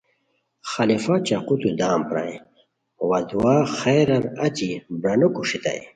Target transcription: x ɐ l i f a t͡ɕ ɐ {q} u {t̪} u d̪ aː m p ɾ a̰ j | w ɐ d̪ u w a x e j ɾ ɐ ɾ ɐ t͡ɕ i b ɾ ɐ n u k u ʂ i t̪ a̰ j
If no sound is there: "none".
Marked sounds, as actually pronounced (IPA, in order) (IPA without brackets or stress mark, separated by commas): q, t̪